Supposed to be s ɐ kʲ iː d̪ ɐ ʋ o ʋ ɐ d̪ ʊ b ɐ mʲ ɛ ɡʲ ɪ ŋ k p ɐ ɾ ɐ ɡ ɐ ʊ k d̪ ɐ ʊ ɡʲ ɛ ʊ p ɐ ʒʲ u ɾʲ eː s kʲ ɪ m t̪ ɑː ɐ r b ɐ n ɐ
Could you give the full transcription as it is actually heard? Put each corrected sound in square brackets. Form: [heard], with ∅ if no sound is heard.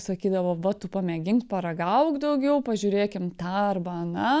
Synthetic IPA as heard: s ɐ kʲ iː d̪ ɐ ʋ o ʋ ɐ [t̪] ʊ [p] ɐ mʲ ɛ ɡʲ ɪ ŋ k p ɐ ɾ ɐ ɡ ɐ ʊ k d̪ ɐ ʊ ɡʲ ɛ ʊ p ɐ ʒʲ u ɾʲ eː [∅] kʲ ɪ m t̪ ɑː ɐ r b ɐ n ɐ